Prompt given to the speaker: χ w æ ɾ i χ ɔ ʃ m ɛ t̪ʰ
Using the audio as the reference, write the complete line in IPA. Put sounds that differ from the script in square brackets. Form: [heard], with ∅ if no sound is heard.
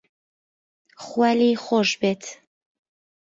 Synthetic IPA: χ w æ [l] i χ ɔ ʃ [b] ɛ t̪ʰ

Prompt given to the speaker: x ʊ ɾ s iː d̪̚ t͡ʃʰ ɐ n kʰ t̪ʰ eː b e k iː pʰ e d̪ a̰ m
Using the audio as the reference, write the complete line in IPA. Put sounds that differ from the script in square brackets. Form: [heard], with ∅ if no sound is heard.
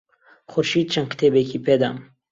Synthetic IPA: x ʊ ɾ [ʃ] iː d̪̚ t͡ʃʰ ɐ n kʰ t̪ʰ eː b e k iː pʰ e d̪ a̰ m

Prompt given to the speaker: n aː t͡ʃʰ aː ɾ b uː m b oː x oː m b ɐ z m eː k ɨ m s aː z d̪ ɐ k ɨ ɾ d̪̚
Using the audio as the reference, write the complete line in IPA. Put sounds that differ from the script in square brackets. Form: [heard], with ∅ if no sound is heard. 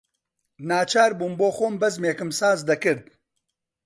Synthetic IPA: n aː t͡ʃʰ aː ɾ b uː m b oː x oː m b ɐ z m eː k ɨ m s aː z d̪ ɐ k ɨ ɾ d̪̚

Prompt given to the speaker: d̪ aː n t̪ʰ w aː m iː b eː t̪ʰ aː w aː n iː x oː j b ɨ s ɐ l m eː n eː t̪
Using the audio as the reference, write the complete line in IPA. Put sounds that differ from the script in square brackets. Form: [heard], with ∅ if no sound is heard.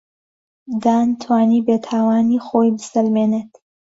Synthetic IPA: d̪ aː n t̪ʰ w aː [n] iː b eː t̪ʰ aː w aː n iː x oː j b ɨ s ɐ l m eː n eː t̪

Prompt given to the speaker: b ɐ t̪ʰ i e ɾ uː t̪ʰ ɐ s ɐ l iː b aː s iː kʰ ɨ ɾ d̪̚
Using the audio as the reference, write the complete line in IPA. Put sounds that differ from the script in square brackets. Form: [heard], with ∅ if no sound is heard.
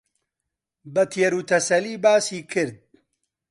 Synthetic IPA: b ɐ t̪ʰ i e ɾ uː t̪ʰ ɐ s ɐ l iː b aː s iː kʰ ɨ ɾ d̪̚

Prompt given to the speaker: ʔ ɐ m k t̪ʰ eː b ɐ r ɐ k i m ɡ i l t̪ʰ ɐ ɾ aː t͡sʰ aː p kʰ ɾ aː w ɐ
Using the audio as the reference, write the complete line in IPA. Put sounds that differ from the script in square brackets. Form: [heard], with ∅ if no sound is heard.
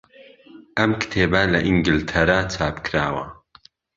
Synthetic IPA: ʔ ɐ m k t̪ʰ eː b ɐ [l] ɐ [ʔ] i [ŋ] ɡ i l t̪ʰ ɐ ɾ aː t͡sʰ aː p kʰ ɾ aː w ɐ

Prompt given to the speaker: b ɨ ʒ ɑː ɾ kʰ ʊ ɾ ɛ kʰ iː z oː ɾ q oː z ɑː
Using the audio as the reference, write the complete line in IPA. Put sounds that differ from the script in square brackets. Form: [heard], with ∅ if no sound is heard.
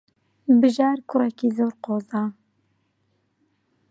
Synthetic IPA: b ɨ ʒ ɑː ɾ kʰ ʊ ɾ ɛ [k] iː z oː ɾ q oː z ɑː

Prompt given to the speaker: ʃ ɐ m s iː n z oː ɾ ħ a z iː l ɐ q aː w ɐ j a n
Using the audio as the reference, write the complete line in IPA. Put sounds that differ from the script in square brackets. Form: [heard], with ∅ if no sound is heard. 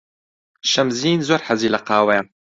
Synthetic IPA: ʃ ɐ m [z] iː n z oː ɾ ħ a z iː l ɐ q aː w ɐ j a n

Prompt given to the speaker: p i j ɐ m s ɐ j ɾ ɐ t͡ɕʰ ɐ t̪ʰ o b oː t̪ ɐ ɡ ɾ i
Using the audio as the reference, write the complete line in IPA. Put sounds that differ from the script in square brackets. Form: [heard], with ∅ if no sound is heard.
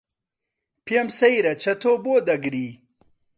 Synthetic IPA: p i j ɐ m s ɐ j ɾ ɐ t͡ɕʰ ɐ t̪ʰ o b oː [d̪] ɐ ɡ ɾ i

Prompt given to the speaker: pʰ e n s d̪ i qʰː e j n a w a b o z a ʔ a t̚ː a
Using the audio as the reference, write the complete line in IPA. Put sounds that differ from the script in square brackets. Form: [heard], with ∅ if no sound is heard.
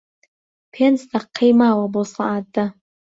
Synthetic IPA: pʰ e n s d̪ [a] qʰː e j [m] a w a b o [s] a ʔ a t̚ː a

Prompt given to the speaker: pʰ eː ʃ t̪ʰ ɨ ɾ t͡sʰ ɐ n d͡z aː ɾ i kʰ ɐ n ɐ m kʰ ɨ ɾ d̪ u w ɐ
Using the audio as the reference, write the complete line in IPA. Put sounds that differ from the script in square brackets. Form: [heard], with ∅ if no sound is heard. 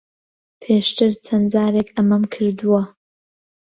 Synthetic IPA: pʰ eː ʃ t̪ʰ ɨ ɾ t͡sʰ ɐ n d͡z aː ɾ [e] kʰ ɐ [m] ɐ m kʰ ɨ ɾ d̪ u w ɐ

